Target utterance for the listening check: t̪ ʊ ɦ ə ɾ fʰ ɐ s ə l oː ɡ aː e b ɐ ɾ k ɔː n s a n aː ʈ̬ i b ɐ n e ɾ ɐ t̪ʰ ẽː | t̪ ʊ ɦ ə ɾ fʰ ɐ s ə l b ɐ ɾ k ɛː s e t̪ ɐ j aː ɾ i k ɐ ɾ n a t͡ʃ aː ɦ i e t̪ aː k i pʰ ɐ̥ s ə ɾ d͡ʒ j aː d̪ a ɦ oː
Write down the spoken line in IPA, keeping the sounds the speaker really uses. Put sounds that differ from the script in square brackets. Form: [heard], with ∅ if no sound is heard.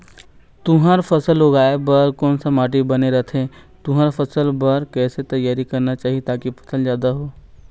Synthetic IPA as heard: t̪ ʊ ɦ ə ɾ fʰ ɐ s ə l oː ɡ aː e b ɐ ɾ k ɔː n s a [m] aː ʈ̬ i b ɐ n e ɾ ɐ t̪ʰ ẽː | t̪ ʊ ɦ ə ɾ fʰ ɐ s ə l b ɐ ɾ k ɛː s e t̪ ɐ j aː ɾ i k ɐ ɾ n a t͡ʃ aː ɦ i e t̪ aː k i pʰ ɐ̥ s ə [l] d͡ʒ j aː d̪ a ɦ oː